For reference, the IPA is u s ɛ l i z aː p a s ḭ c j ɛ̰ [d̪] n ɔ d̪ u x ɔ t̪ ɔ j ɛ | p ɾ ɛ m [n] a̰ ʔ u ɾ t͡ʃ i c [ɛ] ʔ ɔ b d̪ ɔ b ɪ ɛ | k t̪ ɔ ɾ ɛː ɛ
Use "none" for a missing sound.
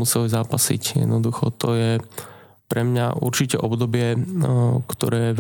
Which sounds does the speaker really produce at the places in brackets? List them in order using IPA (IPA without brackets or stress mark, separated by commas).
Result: d̪, ɲ, ɛ